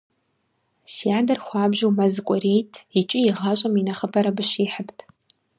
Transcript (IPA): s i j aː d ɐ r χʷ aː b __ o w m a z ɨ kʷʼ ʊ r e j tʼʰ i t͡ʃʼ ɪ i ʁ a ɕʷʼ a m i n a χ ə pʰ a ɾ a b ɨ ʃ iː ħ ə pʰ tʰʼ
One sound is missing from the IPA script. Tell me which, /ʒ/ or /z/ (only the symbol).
ʒ